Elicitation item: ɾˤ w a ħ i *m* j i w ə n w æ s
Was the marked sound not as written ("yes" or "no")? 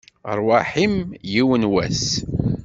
no